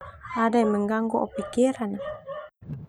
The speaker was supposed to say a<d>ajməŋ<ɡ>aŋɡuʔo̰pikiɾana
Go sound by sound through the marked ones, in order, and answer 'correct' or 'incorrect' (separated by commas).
correct, correct